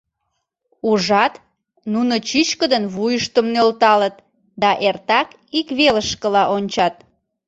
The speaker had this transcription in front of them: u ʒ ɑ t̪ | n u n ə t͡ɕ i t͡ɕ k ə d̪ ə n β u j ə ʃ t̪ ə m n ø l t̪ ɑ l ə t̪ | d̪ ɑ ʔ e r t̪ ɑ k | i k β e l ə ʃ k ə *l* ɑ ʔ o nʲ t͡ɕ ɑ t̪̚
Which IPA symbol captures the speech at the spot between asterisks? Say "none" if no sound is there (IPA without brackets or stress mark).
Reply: l